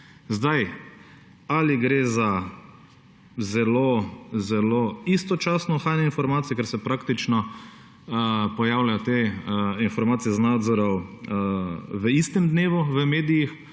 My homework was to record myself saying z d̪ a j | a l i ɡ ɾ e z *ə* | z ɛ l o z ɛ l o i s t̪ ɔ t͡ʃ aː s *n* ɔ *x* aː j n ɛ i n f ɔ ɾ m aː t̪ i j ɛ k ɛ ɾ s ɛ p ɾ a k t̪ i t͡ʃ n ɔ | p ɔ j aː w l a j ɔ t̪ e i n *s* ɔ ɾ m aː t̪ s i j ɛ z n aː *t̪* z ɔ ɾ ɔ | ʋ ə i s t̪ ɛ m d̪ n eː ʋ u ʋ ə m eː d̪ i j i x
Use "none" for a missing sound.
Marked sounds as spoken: a, n, x, f, d̪

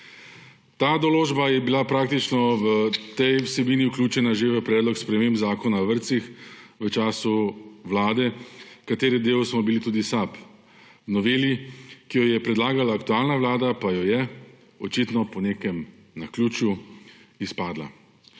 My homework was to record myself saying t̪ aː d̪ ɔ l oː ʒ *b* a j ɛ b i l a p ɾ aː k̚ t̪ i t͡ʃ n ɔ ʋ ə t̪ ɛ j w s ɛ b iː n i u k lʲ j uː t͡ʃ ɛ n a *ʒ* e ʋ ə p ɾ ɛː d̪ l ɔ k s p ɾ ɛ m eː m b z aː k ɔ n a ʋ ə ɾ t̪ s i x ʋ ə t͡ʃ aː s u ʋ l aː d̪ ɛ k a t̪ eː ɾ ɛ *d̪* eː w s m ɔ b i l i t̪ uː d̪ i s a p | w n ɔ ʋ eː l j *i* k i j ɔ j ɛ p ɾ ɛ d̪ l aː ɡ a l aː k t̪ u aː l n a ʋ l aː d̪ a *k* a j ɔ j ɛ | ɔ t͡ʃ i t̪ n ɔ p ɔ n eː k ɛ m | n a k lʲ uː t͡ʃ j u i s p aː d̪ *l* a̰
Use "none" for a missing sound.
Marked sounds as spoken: b, ʒ, d̪, i, p, l

